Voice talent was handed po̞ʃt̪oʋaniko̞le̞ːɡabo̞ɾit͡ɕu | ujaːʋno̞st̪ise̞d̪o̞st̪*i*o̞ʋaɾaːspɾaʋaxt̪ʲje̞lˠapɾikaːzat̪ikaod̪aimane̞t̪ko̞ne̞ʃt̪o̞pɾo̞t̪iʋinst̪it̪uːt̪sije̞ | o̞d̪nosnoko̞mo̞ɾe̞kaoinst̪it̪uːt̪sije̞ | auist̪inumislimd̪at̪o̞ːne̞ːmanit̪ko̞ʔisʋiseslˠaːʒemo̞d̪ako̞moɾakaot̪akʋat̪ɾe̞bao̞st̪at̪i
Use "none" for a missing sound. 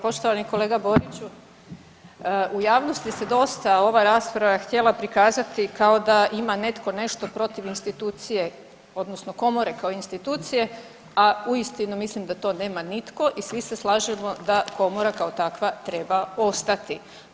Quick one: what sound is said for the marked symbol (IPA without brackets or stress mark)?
a